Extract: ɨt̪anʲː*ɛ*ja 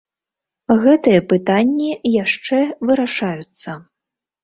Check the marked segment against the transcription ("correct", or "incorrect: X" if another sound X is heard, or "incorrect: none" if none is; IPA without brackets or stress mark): incorrect: i